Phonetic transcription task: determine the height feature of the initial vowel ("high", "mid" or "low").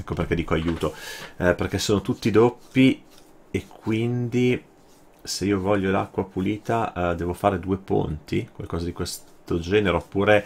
mid